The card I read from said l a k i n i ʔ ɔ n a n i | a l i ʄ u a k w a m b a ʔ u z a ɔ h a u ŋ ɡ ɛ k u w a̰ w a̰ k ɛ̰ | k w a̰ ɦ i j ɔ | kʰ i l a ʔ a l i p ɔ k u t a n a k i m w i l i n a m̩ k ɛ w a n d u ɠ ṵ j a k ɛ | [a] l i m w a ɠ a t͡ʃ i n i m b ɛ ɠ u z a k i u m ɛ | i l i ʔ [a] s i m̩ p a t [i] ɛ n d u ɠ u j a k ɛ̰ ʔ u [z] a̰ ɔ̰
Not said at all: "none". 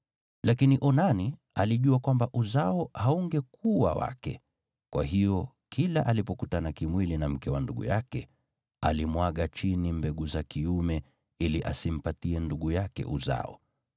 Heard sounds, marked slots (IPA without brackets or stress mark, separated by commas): a, a, i, z